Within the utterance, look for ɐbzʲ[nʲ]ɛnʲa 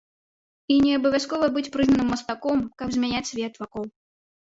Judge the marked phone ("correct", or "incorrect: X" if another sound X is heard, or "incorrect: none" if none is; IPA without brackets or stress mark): incorrect: mʲ